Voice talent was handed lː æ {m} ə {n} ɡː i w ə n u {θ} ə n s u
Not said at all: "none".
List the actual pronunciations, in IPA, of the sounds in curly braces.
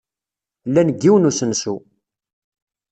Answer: n, none, s

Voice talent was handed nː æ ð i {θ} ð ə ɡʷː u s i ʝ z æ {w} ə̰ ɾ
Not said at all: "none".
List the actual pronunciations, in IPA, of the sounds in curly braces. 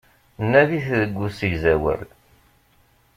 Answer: θ, w

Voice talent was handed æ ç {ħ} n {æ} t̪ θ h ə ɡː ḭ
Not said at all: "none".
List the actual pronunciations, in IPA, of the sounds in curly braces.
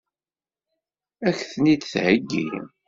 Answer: θ, i

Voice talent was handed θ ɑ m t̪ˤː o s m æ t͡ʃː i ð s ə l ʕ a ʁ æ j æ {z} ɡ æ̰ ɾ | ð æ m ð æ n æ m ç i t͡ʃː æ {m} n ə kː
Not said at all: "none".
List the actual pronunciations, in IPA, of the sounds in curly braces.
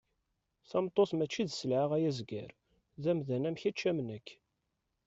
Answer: z, m

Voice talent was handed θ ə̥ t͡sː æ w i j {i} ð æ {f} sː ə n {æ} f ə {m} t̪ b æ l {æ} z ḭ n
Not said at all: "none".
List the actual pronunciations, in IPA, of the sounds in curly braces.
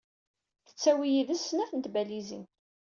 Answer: i, none, æ, n, i

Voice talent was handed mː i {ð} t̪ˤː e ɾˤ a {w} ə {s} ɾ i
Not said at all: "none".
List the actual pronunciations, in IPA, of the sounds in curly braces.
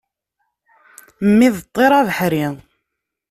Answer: ð, v, ħ

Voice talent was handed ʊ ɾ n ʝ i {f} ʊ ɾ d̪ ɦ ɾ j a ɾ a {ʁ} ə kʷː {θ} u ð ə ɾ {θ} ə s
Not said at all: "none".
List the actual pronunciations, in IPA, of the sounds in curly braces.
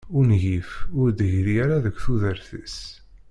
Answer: f, ð, θ, θ

